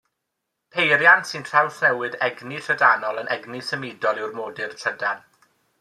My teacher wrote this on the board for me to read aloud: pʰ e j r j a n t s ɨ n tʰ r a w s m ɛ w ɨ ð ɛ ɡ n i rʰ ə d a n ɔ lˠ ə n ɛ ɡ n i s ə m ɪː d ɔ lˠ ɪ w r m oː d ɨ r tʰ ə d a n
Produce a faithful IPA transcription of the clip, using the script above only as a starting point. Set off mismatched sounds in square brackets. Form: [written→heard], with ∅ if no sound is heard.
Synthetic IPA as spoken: pʰ e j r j a n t s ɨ n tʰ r a w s [m→n] ɛ w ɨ ð ɛ ɡ n i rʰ ə d a n ɔ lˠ ə n ɛ ɡ n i s ə m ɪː d ɔ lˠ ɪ w r m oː d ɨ r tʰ ə d a n